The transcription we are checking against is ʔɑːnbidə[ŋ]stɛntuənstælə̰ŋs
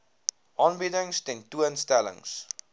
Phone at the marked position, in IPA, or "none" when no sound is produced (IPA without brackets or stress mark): ŋ